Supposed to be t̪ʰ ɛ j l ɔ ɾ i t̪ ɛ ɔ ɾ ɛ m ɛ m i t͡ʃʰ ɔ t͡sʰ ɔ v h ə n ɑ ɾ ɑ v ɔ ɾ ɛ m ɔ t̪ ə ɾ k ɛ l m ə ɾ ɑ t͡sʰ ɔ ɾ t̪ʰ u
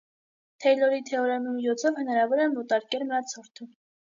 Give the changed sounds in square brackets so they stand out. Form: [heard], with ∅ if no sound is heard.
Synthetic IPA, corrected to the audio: t̪ʰ ɛ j l ɔ ɾ i [t̪ʰ] ɛ ɔ ɾ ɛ m [i] m i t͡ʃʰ ɔ t͡sʰ ɔ v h ə n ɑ ɾ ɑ v ɔ ɾ ɛ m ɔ t̪ [ɑ] ɾ k ɛ l m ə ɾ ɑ t͡sʰ ɔ ɾ t̪ʰ u